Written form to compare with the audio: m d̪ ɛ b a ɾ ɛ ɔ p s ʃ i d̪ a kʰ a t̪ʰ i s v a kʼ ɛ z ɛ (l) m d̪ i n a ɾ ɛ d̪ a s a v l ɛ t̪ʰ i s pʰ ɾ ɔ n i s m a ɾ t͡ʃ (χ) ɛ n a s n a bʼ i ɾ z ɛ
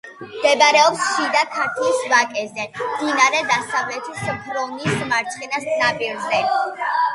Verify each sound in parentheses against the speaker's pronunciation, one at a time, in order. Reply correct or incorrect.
incorrect: none, correct

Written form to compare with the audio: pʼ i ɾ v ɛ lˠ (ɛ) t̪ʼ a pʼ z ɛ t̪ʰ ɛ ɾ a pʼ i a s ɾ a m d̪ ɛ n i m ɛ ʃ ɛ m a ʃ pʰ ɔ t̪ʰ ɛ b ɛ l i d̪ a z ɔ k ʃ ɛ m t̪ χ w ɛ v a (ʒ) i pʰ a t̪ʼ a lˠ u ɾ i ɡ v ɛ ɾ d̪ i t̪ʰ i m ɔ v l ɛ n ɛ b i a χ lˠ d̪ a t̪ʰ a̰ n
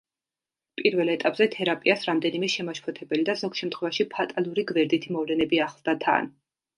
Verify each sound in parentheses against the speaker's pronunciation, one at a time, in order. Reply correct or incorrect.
correct, incorrect: ʃ

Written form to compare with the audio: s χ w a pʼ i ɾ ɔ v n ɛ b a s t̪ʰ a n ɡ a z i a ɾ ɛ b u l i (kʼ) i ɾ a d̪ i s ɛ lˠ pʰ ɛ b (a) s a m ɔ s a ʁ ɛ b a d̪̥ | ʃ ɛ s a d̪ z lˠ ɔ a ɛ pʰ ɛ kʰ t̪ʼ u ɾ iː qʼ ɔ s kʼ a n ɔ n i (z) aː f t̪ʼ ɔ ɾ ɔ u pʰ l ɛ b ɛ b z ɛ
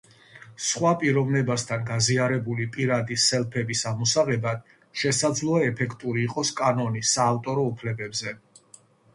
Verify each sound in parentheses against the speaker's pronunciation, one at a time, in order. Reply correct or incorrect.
incorrect: pʼ, incorrect: i, incorrect: s

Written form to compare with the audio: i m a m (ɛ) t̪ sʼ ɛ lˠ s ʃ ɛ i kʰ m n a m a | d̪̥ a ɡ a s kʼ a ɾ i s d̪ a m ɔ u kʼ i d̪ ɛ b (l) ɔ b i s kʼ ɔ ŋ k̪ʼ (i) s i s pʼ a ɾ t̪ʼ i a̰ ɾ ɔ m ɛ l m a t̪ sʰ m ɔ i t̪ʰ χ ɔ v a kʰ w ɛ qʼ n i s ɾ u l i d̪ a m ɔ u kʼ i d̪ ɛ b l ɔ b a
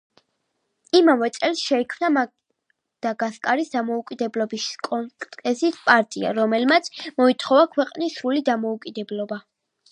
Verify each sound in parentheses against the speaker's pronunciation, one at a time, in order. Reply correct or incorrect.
correct, correct, incorrect: ɛ

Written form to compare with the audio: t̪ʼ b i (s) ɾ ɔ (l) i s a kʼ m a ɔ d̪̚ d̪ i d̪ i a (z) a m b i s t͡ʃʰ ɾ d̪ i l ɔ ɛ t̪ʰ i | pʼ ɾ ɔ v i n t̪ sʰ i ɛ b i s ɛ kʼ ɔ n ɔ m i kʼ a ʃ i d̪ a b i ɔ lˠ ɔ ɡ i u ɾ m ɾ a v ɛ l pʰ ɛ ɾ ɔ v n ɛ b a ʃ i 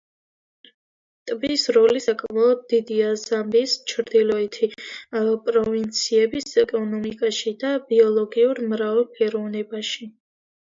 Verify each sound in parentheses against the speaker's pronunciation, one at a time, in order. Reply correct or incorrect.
correct, correct, correct

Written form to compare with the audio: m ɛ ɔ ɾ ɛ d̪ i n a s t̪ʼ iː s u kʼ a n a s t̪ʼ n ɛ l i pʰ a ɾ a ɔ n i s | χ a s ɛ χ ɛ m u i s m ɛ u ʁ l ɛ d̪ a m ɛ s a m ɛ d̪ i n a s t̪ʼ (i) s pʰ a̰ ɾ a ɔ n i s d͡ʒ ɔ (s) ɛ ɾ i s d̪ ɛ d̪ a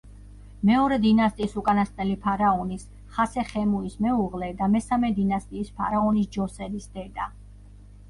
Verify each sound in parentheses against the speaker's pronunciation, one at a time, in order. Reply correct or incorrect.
incorrect: iː, correct

